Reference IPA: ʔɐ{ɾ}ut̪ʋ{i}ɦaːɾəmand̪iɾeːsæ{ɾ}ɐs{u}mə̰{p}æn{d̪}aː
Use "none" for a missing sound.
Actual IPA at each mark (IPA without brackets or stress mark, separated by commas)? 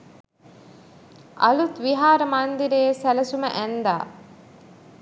l, i, l, u, ʔ, d̪